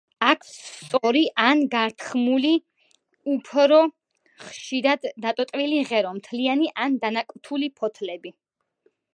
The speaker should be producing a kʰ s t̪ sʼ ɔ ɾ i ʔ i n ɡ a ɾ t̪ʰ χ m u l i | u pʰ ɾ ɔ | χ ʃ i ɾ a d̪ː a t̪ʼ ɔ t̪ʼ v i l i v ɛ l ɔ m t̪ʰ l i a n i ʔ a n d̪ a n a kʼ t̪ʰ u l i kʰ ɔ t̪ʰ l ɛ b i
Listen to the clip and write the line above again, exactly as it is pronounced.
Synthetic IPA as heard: a kʰ s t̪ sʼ ɔ ɾ i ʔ a n ɡ a ɾ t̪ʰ χ m u l i | u pʰ ɾ ɔ | χ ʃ i ɾ a d̪ː a t̪ʼ ɔ t̪ʼ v i l i ʁ ɛ ɾ ɔ m t̪ʰ l i a n i ʔ a n d̪ a n a kʼ t̪ʰ u l i pʰ ɔ t̪ʰ l ɛ b i